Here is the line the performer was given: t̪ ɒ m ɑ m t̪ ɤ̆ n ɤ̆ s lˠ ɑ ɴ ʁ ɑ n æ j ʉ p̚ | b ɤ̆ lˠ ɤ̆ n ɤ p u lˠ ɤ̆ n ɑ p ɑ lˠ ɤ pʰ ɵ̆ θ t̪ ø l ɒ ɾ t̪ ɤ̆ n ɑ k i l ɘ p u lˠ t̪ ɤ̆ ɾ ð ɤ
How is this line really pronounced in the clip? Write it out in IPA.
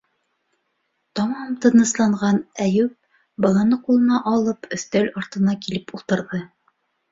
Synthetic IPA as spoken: t̪ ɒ m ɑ m t̪ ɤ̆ n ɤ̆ s lˠ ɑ ɴ ʁ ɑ n æ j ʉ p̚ | b ɤ̆ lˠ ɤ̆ n ɤ q u lˠ ɤ̆ n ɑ ʔ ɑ lˠ ɤ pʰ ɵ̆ θ t̪ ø l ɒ ɾ t̪ ɤ̆ n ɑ k i l ɘ p u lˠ t̪ ɤ̆ ɾ ð ɤ